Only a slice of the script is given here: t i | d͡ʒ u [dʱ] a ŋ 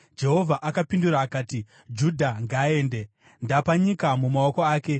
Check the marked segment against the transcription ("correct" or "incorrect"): correct